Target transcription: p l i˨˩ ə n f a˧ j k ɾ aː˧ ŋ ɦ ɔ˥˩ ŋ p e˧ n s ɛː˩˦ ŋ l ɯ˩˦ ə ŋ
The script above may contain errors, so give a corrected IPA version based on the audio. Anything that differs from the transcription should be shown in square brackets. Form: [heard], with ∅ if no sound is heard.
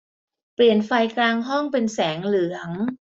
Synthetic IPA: p l i˨˩ ə n f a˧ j k [l] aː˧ ŋ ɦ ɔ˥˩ ŋ p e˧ n s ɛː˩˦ ŋ l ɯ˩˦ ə ŋ